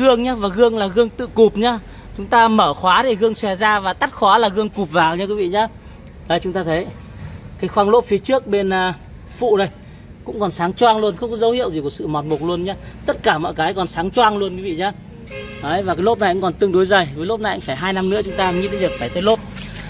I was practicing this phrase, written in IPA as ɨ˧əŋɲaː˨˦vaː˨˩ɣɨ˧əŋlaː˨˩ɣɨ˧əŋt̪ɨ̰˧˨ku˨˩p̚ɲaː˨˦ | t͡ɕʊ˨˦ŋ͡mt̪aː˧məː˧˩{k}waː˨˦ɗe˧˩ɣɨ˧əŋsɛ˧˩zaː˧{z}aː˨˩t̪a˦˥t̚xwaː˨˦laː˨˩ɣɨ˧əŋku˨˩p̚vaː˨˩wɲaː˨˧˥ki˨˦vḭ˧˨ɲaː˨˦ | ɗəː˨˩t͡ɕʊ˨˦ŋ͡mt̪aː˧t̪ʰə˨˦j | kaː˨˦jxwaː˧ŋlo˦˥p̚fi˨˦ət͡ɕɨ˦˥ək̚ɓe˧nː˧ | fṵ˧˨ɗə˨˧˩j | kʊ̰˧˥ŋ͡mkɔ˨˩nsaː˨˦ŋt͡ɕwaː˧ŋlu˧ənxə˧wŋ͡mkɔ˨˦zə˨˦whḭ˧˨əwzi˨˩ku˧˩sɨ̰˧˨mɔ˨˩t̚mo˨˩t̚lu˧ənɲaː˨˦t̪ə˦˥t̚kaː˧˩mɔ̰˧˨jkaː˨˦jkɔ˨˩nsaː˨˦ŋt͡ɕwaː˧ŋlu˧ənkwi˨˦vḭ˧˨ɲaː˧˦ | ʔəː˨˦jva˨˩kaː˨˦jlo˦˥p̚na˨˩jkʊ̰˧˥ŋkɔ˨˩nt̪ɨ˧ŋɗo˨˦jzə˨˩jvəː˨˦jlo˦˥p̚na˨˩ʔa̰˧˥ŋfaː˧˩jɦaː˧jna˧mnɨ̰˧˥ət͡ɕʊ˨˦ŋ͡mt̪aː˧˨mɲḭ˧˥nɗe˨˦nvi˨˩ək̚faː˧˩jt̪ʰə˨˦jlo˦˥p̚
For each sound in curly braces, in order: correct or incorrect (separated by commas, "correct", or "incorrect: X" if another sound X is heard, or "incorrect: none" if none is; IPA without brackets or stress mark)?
incorrect: x, incorrect: v